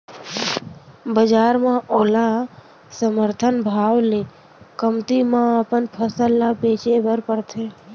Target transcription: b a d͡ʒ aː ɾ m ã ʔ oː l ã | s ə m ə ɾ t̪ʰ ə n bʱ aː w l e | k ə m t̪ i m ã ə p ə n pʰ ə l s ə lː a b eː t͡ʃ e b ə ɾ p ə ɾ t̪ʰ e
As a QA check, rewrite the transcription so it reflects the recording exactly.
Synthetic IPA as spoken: b ə d͡ʒ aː ɾ m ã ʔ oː l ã | s ə m ə ɾ t̪ʰ ə n bʱ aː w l e | k ə m t̪ i m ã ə p ə n pʰ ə s ə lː a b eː t͡ʃ e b ə ɾ p ə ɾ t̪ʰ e